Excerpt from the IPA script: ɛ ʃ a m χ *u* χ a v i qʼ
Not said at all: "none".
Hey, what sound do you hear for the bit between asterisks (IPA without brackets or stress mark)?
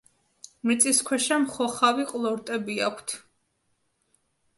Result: ɔ